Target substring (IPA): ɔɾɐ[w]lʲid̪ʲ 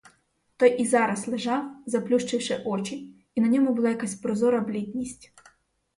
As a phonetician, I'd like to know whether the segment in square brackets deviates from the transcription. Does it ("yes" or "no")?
yes